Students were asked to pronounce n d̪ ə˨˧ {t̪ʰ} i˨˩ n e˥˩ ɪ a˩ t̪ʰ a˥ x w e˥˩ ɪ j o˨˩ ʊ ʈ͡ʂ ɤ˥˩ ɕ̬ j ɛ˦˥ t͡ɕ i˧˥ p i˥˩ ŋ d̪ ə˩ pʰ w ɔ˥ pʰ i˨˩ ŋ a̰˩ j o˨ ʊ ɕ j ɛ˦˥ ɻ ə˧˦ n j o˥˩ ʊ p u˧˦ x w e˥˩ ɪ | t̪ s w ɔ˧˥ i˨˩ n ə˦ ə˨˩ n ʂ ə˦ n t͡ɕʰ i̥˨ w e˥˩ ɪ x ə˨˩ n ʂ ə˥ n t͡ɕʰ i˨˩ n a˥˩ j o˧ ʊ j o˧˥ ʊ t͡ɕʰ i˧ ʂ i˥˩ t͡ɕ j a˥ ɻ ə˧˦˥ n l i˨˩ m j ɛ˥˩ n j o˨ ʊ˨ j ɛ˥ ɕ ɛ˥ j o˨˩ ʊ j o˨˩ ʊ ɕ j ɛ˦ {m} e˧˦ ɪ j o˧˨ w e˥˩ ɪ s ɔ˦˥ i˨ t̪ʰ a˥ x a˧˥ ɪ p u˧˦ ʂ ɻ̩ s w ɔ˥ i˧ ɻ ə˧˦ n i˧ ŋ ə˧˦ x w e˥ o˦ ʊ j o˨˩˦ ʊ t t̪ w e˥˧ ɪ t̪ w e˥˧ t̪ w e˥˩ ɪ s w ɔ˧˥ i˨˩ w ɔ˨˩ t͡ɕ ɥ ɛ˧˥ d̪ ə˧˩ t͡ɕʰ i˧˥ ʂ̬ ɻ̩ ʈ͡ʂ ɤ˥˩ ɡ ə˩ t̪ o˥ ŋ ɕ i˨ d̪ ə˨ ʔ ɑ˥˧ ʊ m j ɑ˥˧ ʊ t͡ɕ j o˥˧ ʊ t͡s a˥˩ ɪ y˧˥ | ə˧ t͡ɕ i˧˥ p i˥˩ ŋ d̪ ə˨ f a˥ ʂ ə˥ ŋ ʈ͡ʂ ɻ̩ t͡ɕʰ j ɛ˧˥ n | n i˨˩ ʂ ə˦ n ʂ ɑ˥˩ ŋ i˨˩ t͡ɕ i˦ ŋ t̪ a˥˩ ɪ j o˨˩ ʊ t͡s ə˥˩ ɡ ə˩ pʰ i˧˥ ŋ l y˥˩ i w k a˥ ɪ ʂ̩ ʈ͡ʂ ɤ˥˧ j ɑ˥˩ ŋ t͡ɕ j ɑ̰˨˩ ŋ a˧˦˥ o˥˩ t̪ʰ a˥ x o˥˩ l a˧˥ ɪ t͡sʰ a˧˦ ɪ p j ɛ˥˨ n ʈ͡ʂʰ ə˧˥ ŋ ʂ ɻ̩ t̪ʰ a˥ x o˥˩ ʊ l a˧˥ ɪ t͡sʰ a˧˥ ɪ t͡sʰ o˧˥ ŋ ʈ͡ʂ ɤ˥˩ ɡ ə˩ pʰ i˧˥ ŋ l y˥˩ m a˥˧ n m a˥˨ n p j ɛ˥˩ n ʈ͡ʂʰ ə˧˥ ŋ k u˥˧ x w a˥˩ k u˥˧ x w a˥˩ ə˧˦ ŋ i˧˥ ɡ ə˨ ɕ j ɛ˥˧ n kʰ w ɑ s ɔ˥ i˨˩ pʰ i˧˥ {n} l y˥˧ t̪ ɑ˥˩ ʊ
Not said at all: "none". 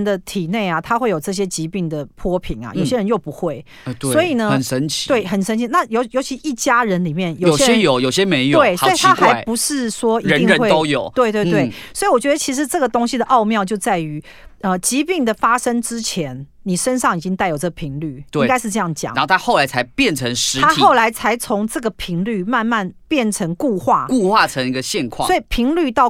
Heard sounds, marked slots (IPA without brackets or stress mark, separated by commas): t̪ʰ, m, ŋ